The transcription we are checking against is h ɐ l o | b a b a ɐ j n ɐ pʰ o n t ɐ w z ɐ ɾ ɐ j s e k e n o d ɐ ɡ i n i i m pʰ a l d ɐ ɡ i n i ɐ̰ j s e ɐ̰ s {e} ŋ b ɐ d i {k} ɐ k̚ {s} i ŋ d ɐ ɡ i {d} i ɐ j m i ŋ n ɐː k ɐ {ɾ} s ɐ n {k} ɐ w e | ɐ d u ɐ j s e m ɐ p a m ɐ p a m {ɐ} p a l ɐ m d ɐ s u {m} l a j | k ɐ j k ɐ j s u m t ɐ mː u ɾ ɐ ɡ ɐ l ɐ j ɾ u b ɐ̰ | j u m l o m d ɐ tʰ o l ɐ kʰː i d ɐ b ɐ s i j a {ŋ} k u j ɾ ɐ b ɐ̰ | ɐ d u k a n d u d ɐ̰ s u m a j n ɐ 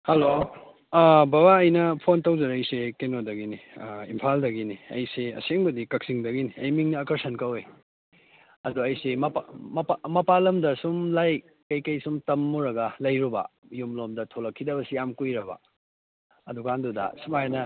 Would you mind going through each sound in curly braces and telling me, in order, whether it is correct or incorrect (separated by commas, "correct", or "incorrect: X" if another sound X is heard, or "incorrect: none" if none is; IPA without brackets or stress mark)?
correct, correct, correct, incorrect: n, correct, correct, correct, correct, incorrect: m